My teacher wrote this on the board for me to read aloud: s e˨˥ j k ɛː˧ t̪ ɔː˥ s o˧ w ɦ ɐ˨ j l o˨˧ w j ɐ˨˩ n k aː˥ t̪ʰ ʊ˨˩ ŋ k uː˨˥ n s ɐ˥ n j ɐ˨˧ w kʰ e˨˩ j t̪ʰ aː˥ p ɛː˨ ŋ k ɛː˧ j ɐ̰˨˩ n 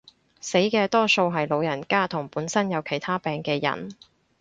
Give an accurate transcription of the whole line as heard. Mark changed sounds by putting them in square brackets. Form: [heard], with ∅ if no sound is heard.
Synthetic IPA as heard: s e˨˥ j k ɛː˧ t̪ ɔː˥ s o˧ w ɦ ɐ˨ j l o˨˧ w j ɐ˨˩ n k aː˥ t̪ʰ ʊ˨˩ ŋ [p] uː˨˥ n s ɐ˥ n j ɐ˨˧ w kʰ e˨˩ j t̪ʰ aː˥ p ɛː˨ ŋ k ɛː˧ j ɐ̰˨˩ n